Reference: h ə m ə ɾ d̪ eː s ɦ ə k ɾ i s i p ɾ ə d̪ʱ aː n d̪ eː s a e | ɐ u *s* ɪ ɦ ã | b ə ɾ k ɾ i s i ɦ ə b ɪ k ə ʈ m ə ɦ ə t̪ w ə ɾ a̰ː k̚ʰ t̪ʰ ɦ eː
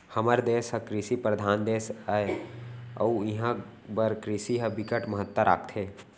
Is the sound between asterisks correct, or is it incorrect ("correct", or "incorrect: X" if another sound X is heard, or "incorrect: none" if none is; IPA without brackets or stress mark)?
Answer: incorrect: none